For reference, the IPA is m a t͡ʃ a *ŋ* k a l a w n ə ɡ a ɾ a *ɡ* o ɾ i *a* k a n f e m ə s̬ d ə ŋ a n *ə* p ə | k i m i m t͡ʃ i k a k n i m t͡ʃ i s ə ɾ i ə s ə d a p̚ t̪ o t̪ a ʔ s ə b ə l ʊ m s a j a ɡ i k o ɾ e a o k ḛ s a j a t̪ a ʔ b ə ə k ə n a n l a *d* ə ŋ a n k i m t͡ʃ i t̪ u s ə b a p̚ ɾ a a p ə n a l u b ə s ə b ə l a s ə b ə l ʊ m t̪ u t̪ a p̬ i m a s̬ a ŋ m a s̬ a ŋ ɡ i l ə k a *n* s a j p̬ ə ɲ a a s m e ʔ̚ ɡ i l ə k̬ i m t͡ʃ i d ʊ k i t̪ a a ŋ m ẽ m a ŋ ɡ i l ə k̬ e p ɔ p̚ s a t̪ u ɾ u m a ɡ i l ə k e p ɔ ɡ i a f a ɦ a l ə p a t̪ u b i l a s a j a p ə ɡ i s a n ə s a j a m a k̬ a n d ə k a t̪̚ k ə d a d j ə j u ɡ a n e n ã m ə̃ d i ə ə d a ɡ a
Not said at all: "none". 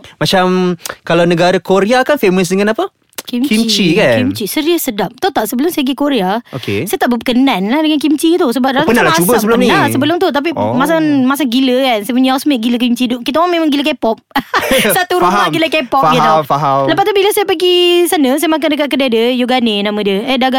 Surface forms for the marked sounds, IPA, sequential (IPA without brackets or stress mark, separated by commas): m, k, a, a, d, n